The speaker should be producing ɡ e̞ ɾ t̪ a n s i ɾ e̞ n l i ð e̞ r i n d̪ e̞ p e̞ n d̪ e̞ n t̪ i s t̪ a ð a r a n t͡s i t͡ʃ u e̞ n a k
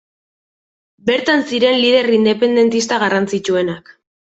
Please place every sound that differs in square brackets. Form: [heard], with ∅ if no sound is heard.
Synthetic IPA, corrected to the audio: [b] e̞ ɾ t̪ a n s i ɾ e̞ n l i ð e̞ r i n d̪ e̞ p e̞ n d̪ e̞ n t̪ i s t̪ a [ɣ] a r a n t͡s i t͡ʃ u e̞ n a k

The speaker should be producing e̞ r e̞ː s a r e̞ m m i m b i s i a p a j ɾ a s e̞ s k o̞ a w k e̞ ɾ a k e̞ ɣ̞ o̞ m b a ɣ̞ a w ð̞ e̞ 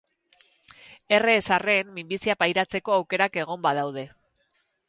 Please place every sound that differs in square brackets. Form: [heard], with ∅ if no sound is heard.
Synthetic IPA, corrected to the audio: e̞ r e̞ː s a r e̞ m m i m b i s i a p a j ɾ a [t͡s] e̞ [∅] k o̞ a w k e̞ ɾ a k e̞ ɣ̞ o̞ m b a [ð̞] a w ð̞ e̞

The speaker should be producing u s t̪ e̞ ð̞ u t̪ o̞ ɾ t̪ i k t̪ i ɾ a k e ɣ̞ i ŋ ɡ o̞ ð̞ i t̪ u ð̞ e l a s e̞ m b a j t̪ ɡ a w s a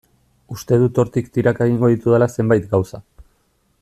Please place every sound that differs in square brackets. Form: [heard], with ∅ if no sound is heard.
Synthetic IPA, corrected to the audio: u s t̪ e̞ ð̞ u t̪ o̞ ɾ t̪ i k t̪ i ɾ a k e ɣ̞ i ŋ ɡ o̞ ð̞ i t̪ u ð̞ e l a s e̞ m b a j t̪ ɡ a w s a

